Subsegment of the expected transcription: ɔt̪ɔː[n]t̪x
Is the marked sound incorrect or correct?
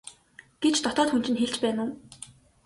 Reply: incorrect